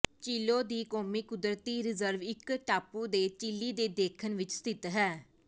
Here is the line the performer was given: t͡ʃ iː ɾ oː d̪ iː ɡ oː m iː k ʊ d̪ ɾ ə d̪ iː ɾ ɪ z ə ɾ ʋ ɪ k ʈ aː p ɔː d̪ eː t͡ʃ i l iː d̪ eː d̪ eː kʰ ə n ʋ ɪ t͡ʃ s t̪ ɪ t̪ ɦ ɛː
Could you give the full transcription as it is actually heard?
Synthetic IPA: t͡ʃ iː l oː d̪ iː k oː m iː k ʊ d̪ ɾ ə t̪ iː ɾ ɪ z ə ɾ ʋ ɪ k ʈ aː p uː d̪ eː t͡ʃ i l iː d̪ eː d̪ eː kʰ ə n ʋ ɪ t͡ʃ s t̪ ɪ t̪ ɦ ɛː

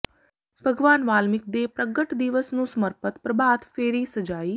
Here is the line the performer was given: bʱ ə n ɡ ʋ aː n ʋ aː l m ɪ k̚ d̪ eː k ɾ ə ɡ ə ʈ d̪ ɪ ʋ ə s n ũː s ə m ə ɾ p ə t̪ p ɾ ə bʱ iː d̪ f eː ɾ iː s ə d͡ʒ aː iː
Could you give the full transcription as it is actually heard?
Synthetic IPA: bʱ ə ɡ ʋ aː n ʋ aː l m ɪ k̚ d̪ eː p ɾ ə ɡ ə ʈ d̪ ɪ ʋ ə s n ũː s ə m ə ɾ p ə t̪ p ɾ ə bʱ aː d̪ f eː ɾ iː s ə d͡ʒ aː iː

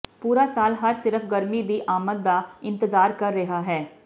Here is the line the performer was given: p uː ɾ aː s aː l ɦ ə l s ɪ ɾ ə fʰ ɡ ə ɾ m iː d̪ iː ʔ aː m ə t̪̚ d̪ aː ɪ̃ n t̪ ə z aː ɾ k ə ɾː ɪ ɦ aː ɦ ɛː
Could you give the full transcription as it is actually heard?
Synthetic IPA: p uː ɾ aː s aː l ɦ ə ɾ s ɪ ɾ ə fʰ ɡ ə ɾ m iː d̪ iː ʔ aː m ə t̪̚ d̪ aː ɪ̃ n t̪ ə z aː ɾ k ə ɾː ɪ ɦ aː ɦ ɛː

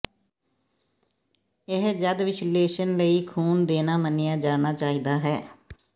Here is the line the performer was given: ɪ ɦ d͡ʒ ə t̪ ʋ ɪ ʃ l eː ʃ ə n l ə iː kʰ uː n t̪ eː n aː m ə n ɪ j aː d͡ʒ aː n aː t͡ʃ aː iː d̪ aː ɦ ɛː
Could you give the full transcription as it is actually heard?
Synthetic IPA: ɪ ɦ d͡ʒ ə d̪ ʋ ɪ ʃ l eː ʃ ə n l ə iː kʰ uː n d̪ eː n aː m ə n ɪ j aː d͡ʒ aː n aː t͡ʃ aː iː d̪ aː ɦ ɛː

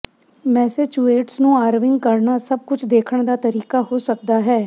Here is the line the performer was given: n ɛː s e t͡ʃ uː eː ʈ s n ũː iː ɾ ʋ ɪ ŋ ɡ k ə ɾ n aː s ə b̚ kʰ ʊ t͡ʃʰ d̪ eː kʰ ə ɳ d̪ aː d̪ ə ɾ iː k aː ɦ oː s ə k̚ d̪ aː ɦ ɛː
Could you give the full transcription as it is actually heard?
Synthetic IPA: m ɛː s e t͡ʃ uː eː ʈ s n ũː aː ɾ ʋ ɪ ŋ ɡ k ə ɾ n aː s ə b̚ k ʊ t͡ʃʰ d̪ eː kʰ ə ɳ d̪ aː t̪ ə ɾ iː k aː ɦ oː s ə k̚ d̪ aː ɦ ɛː

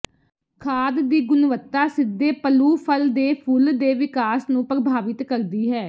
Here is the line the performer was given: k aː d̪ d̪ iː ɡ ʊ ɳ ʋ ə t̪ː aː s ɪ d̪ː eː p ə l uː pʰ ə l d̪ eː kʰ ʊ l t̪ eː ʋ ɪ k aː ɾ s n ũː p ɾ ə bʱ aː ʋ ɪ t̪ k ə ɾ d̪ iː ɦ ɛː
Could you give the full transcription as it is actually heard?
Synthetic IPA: kʰ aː d̪ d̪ iː ɡ ʊ n ʋ ə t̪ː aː s ɪ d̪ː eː p ə l uː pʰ ə l d̪ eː pʰ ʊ l d̪ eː ʋ ɪ k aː s n ũː p ɾ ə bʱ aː ʋ ɪ t̪ k ə ɾ d̪ iː ɦ ɛː

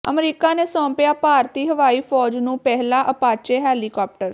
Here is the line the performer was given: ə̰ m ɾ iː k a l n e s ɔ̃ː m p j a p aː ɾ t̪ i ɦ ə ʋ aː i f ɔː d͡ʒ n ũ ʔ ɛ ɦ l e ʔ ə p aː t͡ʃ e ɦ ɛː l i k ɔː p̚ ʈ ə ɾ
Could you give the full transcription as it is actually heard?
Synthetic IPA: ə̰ m ɾ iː k a n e s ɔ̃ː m p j a p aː ɾ t̪ i ɦ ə ʋ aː i f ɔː d͡ʒ n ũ p ɛ ɦ l a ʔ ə p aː t͡ʃ e ɦ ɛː l i k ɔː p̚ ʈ ə ɾ

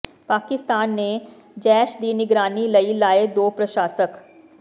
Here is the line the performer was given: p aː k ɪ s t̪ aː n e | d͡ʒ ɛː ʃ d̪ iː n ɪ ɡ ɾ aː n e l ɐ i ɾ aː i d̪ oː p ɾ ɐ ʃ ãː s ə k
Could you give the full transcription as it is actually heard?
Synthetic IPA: p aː k ɪ s t̪ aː nː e | d͡ʒ ɛː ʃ d̪ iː n ɪ ɡ ɾ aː n i l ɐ i l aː e d̪ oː p ɾ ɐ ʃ aː s ə k

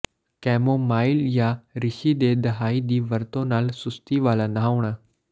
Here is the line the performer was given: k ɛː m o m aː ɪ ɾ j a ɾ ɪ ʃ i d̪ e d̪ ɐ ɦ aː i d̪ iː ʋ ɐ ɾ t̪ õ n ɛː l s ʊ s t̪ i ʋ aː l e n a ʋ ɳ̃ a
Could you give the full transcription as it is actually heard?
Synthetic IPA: k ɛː m o m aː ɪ l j a ɾ ɪ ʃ i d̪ e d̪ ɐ ɦ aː i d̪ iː ʋ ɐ ɾ t̪ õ n aː l s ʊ s t̪ i ʋ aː l a n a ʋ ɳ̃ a

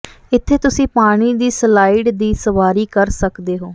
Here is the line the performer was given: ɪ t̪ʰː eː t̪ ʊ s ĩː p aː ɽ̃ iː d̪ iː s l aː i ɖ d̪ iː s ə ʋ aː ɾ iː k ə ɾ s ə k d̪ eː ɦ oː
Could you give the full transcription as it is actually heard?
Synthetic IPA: ɪ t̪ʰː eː t̪ ʊ s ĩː p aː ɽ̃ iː d̪ iː s l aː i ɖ d̪ iː s ə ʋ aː ɾ iː k ə ɾ s ə k d̪ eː ɦ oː

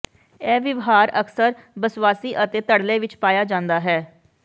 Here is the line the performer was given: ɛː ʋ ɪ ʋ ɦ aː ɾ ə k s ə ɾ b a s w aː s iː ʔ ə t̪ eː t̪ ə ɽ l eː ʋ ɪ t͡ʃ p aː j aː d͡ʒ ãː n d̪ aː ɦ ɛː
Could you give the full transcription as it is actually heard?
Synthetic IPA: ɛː ʋ ɪ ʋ ɦ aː ɾ ə k s ə ɾ b ə s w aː s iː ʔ ə t̪ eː t̪ ə ɽ l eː ʋ ɪ t͡ʃ p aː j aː d͡ʒ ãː n d̪ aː ɦ ɛː

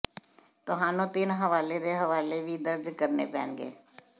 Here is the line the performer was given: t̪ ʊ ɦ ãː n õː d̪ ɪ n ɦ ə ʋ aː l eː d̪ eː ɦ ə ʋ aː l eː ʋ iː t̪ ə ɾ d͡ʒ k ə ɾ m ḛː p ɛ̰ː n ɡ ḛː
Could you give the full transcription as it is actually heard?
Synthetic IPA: t̪ ʊ ɦ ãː n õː t̪ ɪ n ɦ ə ʋ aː l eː d̪ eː ɦ ə ʋ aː l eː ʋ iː d̪ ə ɾ d͡ʒ k ə ɾ n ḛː p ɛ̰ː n ɡ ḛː

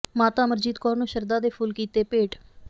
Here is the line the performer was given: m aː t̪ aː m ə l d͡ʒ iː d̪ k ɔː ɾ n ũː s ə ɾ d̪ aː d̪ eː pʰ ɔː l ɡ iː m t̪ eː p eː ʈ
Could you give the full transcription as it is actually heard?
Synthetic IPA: m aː t̪ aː m ə ɾ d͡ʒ iː d̪ k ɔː ɾ n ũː ʃ ə ɾ d̪ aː d̪ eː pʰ uː l k iː t̪ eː p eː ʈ

